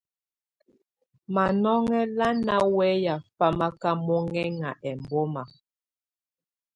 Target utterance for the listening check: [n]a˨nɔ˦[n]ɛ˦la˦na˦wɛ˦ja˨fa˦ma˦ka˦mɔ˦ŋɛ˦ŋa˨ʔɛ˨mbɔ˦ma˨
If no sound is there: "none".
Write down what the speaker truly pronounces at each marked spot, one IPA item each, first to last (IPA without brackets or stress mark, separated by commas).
m, ŋ